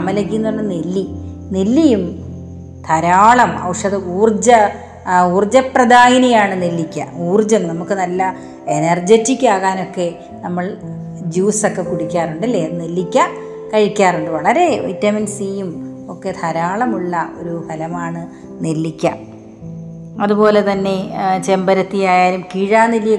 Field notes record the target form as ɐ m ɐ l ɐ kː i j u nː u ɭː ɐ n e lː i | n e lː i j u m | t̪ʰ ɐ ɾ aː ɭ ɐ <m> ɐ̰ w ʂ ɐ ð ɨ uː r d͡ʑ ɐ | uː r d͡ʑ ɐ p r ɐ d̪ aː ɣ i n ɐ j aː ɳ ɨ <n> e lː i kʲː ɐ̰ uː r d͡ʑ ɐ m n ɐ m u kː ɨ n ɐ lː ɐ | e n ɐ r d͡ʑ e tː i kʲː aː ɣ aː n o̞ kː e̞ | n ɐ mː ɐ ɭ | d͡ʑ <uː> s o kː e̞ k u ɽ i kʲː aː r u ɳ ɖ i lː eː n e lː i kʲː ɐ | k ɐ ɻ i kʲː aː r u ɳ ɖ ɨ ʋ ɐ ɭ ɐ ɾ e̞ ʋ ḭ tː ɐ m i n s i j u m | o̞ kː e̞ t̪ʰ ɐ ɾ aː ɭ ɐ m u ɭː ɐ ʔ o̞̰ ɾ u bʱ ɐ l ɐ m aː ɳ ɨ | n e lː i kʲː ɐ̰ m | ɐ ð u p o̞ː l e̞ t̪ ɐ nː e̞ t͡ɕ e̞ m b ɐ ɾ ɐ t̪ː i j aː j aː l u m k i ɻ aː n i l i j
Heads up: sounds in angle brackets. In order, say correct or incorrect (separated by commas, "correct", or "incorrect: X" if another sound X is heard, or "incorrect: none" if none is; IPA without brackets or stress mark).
correct, correct, correct